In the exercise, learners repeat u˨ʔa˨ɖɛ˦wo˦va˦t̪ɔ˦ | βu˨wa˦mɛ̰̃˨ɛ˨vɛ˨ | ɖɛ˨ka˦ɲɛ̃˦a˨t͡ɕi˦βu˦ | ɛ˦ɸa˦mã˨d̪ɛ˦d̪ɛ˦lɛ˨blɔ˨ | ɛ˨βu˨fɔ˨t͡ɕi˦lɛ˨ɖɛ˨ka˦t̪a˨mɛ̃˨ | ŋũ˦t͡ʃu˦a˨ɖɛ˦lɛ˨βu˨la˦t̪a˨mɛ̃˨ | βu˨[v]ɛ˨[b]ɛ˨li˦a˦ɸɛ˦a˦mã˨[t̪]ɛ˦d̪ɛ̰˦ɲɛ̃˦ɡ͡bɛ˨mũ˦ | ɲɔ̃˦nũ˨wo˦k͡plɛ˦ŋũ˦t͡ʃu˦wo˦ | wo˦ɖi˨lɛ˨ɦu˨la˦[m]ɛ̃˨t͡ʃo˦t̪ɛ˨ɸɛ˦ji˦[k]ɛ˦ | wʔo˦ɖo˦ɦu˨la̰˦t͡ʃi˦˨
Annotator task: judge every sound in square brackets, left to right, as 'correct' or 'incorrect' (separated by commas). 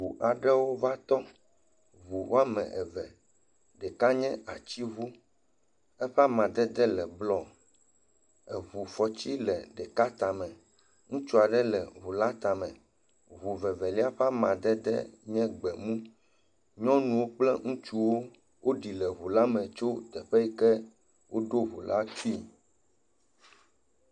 correct, incorrect, incorrect, correct, correct